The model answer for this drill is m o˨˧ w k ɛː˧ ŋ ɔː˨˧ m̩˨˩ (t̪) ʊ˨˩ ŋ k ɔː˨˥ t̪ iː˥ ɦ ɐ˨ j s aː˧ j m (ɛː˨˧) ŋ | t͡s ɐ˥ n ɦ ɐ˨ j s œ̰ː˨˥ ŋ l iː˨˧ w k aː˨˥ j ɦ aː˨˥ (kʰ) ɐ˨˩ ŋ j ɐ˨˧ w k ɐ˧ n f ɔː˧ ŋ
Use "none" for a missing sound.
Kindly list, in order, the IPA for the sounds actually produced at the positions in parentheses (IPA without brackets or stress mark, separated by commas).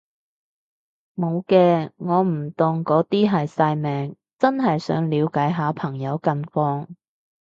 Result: t̪, ɛː˨˧, pʰ